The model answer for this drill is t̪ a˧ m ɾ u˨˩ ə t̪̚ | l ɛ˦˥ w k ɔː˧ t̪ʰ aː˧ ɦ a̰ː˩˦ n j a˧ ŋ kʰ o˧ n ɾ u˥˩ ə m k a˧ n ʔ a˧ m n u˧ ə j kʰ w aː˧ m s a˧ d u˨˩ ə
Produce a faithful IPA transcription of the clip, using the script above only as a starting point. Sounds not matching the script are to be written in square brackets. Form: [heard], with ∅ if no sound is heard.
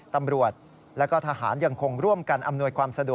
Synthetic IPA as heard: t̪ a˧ m ɾ u˨˩ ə t̪̚ | l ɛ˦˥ w k [ɔː˥˩] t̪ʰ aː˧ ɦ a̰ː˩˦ n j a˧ ŋ kʰ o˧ [ŋ] ɾ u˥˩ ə m k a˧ n ʔ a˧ m n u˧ ə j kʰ w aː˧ m s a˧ d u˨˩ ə